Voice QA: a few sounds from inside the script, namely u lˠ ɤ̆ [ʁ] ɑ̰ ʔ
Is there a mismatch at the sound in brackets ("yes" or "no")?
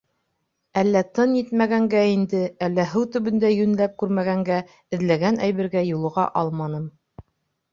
no